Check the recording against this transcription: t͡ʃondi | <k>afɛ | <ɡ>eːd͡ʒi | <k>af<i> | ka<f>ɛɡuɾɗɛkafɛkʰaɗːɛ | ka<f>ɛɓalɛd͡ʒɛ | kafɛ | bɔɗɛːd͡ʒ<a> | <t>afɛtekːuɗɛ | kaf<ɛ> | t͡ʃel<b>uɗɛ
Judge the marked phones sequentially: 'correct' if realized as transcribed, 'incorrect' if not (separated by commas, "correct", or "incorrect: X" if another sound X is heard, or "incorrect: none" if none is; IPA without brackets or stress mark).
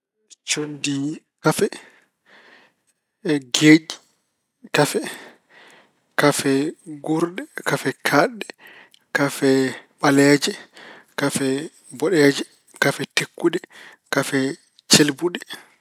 correct, correct, correct, incorrect: ɛ, correct, correct, incorrect: ɛ, incorrect: k, correct, correct